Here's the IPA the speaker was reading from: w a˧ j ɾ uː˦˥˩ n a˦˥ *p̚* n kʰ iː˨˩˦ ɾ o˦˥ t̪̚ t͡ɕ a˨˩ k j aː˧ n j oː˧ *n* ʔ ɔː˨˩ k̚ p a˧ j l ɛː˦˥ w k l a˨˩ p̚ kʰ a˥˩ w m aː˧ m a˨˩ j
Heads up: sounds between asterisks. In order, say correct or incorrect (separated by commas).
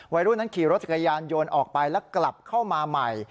incorrect, correct